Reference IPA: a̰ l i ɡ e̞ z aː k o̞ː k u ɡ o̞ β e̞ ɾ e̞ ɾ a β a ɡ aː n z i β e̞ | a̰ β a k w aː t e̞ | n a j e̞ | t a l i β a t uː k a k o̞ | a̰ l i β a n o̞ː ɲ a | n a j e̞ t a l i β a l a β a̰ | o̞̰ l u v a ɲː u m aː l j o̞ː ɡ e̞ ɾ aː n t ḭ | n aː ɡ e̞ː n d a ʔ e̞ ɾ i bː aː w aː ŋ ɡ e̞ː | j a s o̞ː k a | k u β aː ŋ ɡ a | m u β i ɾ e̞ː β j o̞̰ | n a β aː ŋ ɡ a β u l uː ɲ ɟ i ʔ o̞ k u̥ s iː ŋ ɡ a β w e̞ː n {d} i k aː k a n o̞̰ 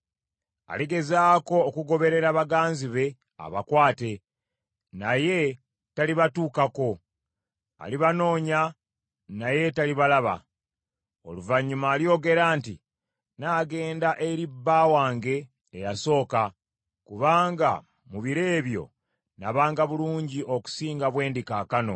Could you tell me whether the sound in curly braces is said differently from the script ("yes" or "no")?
no